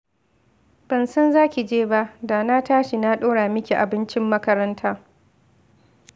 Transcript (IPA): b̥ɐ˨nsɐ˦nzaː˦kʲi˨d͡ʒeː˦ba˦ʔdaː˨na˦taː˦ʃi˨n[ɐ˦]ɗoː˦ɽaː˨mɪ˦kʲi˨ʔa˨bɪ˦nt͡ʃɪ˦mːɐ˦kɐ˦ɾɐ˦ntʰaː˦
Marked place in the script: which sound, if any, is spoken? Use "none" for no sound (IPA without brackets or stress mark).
a˦